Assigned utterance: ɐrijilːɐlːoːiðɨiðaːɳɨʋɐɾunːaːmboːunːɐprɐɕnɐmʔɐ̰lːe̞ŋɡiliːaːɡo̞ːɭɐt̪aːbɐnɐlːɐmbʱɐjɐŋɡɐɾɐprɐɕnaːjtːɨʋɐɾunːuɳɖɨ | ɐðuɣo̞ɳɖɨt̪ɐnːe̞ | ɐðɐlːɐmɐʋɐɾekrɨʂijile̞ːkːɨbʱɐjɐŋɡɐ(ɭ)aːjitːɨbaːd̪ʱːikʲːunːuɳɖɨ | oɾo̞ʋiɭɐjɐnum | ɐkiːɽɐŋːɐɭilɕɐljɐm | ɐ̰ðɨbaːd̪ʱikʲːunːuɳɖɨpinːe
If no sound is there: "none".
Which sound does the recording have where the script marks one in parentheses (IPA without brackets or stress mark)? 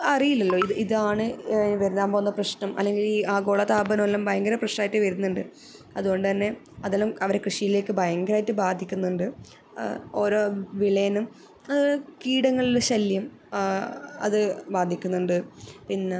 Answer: ɾ